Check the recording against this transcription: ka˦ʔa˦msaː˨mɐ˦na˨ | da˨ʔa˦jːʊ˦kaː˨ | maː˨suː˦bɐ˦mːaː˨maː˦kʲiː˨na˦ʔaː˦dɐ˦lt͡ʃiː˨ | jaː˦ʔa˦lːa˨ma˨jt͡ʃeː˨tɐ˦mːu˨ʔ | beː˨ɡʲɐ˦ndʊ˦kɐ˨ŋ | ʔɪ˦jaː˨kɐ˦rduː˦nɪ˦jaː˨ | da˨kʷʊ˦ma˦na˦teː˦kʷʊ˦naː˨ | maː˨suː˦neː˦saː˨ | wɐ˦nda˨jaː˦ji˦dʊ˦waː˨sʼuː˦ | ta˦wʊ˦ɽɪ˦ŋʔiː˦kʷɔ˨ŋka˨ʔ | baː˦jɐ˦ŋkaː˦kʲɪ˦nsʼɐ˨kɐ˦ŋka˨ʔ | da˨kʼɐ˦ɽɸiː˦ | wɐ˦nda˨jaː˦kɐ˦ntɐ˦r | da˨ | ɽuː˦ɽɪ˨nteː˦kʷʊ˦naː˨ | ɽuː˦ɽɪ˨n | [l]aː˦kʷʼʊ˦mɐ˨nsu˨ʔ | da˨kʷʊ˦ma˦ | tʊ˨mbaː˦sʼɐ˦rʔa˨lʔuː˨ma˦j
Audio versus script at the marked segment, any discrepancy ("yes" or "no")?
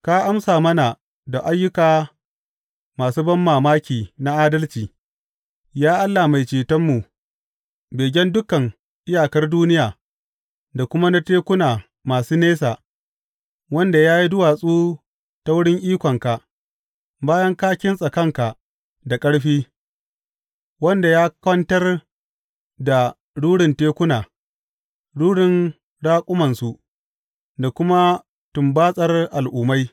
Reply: yes